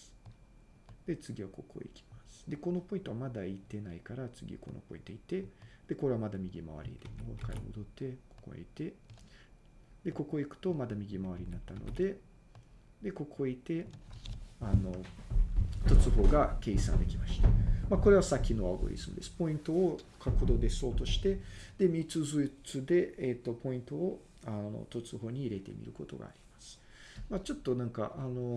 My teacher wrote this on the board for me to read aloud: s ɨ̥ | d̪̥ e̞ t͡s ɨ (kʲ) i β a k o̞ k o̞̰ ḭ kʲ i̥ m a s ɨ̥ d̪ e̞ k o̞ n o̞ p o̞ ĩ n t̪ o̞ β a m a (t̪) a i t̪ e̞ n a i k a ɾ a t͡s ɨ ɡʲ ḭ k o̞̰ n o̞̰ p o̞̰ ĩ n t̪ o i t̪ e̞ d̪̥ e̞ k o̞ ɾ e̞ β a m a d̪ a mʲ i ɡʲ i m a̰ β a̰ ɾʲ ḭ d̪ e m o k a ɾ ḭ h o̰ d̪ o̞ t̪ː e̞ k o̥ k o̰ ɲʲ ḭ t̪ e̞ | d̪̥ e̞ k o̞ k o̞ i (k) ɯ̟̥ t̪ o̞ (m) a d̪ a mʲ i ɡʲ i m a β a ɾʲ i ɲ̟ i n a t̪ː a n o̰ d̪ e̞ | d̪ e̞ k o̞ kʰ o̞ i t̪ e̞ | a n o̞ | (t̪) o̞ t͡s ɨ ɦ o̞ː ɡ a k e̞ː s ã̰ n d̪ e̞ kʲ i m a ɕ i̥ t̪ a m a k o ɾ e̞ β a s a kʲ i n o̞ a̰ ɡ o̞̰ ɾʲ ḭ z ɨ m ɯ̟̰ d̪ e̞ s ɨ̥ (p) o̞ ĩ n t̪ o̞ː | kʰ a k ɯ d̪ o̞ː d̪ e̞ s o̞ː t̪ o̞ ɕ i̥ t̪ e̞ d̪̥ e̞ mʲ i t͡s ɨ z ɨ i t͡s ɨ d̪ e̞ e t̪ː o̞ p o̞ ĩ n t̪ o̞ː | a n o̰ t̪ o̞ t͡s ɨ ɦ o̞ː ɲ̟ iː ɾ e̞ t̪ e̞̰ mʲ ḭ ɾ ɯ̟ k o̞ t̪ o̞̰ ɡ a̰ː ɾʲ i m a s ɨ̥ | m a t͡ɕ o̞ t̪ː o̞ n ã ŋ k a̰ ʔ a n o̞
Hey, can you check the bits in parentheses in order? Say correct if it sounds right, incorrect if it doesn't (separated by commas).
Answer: incorrect, incorrect, correct, correct, correct, correct